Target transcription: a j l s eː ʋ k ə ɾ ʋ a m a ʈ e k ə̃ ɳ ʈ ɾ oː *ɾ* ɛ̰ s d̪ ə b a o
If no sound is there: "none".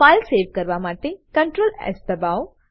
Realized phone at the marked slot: l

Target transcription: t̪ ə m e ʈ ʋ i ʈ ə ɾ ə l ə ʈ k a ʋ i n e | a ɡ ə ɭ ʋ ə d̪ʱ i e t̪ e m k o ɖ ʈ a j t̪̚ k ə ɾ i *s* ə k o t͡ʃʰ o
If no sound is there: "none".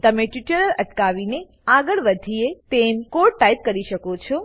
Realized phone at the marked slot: ʃ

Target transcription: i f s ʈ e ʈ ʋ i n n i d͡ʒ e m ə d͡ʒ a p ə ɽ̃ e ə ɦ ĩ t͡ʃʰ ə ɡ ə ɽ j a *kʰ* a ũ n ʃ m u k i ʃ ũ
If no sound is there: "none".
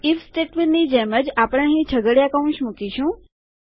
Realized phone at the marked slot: k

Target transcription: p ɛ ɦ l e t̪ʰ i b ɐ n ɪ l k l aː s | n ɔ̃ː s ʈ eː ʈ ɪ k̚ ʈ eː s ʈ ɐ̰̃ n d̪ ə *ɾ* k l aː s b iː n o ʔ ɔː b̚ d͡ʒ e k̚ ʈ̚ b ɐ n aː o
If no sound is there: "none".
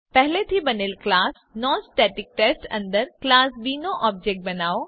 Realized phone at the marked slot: ɾ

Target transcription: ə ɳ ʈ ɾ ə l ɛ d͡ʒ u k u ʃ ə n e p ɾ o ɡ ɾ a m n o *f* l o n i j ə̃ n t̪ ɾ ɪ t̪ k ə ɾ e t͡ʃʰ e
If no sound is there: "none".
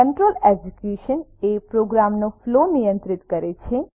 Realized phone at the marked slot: f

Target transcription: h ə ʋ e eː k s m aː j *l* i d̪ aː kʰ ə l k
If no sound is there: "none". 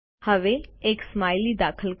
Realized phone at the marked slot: l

